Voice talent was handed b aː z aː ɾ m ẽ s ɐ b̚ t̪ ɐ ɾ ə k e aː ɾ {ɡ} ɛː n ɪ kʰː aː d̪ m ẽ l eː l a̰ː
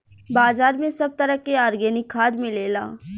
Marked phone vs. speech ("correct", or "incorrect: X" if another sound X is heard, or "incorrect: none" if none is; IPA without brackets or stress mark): correct